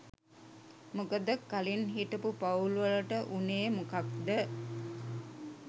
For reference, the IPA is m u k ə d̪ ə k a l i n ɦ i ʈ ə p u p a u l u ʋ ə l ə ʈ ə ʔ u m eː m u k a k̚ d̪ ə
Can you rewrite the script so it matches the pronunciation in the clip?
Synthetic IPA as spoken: m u k ə d̪ ə k a l i n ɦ i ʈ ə p u p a u l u ʋ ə l ə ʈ ə ʔ u n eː m u k a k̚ d̪ ə